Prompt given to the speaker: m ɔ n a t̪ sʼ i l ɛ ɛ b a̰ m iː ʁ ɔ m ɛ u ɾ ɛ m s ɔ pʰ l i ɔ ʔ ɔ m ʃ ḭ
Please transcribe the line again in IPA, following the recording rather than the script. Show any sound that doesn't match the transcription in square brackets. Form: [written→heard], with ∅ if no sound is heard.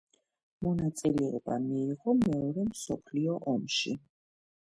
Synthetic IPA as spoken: m ɔ n a t̪ sʼ i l ɛ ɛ b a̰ m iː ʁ ɔ m ɛ [u→ɔ] ɾ ɛ m s ɔ pʰ l i ɔ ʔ ɔ m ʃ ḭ